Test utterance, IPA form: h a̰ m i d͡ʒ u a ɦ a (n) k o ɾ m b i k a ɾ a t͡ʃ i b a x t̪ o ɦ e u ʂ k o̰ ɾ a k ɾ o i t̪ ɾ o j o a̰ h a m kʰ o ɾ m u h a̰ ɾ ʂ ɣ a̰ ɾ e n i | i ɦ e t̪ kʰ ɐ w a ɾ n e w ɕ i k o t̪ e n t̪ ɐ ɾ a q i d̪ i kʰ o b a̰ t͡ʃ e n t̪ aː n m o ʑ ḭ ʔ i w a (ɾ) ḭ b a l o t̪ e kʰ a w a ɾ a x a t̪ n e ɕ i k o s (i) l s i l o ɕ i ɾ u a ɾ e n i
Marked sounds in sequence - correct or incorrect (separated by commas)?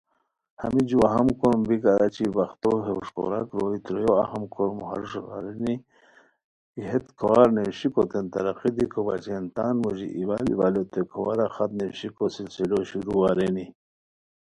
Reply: incorrect, incorrect, correct